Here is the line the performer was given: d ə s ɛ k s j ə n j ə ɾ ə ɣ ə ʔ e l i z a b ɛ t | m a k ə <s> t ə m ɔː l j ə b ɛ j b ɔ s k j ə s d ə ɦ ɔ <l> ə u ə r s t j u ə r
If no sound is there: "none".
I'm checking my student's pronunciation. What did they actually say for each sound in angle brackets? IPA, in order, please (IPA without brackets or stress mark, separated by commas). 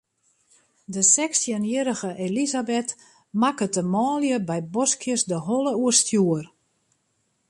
none, l